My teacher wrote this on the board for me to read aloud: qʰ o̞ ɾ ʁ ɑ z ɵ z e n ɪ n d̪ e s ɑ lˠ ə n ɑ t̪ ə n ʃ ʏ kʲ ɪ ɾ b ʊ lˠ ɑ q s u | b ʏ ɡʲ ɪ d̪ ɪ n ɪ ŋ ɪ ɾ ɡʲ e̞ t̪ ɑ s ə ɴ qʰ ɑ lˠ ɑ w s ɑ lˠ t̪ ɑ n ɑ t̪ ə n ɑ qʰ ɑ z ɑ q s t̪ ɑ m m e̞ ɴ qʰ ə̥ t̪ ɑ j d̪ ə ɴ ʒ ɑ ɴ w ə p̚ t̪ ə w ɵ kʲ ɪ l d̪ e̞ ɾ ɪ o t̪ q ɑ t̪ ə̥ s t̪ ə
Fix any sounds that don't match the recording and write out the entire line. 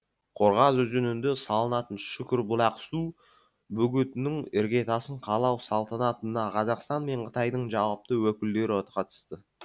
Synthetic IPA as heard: qʰ o̞ ɾ ʁ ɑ z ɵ z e n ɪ n d̪ e s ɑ lˠ ə n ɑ t̪ ə n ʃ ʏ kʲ ɪ ɾ b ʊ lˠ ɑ q s u | b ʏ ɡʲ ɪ t̪ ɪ n ɪ ŋ ɪ ɾ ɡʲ e̞ t̪ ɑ s ə ɴ qʰ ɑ lˠ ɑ w s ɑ lˠ t̪ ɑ n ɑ t̪ ə n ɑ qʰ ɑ z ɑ q s t̪ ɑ n m e̞ ɴ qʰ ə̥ t̪ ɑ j d̪ ə ɴ ʒ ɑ w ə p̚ t̪ ə w ɵ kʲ ɪ l d̪ e̞ ɾ ɪ o t̪ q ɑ t̪ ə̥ s t̪ ə